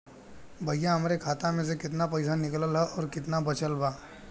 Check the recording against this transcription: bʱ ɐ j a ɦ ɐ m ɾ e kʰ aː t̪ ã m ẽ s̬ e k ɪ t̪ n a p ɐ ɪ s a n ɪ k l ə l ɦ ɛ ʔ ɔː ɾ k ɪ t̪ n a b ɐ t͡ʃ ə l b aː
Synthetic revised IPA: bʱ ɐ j a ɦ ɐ m ɾ e kʰ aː t̪ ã m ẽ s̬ e k ɪ t̪ n a p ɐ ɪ s a n ɪ k l ə l ɦ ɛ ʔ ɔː ɾ k ɪ t̪ n a b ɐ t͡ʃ ə l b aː